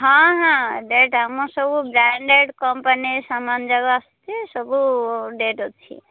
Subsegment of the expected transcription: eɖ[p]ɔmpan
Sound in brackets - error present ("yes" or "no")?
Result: yes